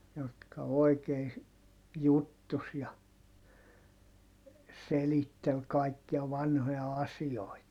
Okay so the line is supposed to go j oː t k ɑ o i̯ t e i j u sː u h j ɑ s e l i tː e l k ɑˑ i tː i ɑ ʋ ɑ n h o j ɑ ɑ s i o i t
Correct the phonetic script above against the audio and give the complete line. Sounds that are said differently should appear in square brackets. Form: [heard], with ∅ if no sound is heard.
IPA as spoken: j [o] t k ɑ o i̯ [k] e i j u [tː] u [s] j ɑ s e l i tː e l k ɑˑ i [kː] i ɑ ʋ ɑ n h o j ɑ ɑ s i o i t